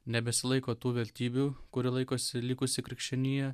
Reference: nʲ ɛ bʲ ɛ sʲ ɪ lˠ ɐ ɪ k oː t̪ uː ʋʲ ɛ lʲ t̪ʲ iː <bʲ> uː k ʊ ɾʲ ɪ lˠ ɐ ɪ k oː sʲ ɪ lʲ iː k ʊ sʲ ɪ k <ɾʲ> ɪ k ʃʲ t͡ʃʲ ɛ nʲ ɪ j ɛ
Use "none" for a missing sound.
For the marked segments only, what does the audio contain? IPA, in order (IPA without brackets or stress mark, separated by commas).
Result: bʲ, ɾʲ